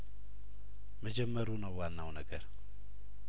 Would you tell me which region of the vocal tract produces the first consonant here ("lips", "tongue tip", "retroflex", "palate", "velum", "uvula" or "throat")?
lips